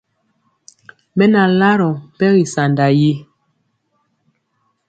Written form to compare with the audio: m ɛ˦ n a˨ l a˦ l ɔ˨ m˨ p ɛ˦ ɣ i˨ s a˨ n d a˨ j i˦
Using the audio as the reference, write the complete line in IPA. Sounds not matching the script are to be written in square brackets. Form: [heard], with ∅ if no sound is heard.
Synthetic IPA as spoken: m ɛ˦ n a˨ l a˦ [ɾ] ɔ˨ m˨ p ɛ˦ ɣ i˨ s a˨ n d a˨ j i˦